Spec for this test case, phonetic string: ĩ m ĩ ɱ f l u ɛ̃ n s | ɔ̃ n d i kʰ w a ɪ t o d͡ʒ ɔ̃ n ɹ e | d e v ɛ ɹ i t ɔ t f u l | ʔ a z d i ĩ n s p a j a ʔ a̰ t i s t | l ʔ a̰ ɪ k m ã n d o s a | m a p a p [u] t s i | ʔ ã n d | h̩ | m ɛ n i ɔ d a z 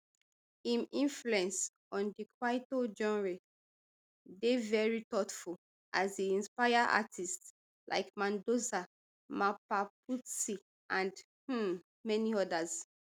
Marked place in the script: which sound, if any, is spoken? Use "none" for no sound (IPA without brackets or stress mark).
u